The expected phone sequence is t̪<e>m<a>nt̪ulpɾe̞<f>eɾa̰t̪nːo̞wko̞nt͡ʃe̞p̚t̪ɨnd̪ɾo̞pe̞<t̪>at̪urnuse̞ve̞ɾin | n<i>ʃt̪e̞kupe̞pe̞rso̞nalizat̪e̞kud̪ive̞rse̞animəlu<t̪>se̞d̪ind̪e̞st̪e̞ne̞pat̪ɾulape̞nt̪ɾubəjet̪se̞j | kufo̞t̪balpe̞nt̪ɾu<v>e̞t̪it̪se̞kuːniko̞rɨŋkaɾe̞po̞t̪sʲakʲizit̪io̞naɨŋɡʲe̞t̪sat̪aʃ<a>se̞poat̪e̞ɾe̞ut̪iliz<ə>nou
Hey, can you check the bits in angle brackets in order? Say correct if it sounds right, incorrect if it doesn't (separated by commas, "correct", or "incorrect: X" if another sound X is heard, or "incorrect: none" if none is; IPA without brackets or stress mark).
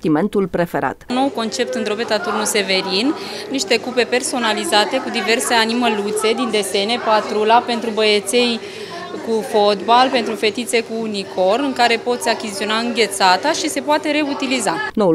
incorrect: i, incorrect: e, correct, correct, correct, correct, incorrect: f, incorrect: i, incorrect: a